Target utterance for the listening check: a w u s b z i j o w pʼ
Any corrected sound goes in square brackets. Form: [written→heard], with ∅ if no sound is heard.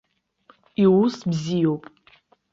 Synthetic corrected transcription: [a→i] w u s b z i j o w pʼ